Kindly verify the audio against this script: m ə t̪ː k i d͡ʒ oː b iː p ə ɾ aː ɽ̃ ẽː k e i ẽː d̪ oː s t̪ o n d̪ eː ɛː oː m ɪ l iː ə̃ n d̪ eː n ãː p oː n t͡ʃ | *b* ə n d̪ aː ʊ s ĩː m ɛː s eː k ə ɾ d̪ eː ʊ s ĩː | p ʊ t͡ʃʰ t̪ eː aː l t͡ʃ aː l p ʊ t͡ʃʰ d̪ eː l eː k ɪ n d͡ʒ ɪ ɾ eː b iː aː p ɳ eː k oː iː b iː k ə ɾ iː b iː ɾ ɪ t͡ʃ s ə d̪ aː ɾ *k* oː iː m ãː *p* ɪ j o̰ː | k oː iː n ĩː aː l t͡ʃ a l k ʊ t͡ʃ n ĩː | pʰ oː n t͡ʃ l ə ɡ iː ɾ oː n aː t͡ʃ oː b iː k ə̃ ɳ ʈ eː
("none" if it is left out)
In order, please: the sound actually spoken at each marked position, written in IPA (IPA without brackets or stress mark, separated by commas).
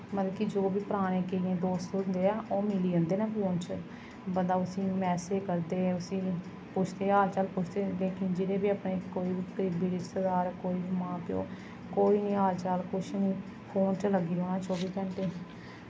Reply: b, k, p